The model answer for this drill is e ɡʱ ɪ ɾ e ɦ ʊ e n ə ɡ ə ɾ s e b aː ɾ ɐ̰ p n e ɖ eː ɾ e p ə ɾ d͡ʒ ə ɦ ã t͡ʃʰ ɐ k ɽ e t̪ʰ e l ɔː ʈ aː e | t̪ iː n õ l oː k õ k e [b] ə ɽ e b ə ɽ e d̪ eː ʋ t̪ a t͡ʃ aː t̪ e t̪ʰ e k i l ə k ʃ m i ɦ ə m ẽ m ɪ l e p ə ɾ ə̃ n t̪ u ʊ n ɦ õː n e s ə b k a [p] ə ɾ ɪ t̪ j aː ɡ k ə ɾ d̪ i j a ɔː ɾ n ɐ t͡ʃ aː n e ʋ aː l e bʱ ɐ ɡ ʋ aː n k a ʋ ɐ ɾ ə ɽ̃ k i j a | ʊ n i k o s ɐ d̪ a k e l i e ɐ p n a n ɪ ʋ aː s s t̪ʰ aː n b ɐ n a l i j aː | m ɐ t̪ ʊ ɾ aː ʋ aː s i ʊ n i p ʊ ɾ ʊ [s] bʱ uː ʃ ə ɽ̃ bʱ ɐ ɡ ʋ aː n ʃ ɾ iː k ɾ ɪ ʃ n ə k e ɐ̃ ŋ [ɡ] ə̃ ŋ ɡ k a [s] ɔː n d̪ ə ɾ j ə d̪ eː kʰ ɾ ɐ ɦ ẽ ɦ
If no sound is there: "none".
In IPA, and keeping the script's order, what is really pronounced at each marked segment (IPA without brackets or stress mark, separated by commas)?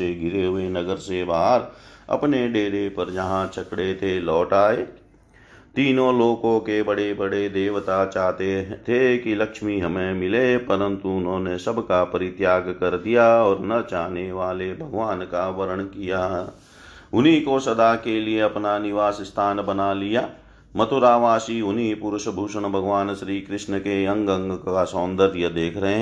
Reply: b, p, ʃ, ɡ, s